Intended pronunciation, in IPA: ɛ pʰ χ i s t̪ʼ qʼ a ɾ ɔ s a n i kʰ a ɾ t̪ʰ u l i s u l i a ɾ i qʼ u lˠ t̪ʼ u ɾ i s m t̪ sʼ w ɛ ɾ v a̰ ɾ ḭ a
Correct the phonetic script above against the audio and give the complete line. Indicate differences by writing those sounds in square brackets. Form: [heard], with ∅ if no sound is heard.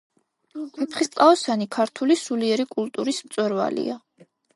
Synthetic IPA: ɛ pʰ χ i s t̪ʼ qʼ a [∅] ɔ s a n i kʰ a ɾ t̪ʰ u l i s u l i [ɛ] ɾ i [kʼ] u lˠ t̪ʼ u ɾ i s m t̪ sʼ w ɛ ɾ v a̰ [l] ḭ a